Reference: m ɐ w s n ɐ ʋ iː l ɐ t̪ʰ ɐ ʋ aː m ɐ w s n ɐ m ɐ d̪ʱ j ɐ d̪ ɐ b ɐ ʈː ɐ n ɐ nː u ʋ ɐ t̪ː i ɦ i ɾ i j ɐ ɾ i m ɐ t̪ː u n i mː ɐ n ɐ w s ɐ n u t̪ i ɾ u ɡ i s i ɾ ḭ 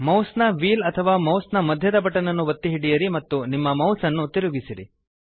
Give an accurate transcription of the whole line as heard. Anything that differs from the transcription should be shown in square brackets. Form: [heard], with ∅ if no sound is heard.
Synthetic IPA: m ɐ w s n ɐ ʋ iː l ɐ t̪ʰ ɐ ʋ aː m ɐ w s n ɐ m ɐ d̪ʱ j ɐ d̪ ɐ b ɐ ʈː ɐ n ɐ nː u ʋ ɐ t̪ː i ɦ i [ɽ] i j ɐ ɾ i m ɐ t̪ː u n i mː ɐ [m] ɐ w s ɐ [nː] u t̪ i ɾ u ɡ i s i ɾ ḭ